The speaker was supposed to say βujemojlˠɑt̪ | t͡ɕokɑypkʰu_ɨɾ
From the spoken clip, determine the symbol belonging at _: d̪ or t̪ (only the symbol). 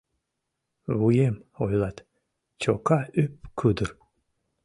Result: d̪